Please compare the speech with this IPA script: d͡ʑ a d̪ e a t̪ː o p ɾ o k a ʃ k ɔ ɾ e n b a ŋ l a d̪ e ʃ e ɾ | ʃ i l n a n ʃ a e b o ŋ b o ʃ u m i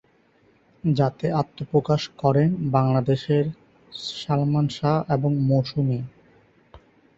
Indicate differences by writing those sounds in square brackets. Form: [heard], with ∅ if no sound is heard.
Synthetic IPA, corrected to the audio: d͡ʑ a [t̪] e a t̪ː o p ɾ o k a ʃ k ɔ ɾ e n b a ŋ l a d̪ e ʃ e ɾ | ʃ [a] l [m] a n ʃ a e b o ŋ [m] o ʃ u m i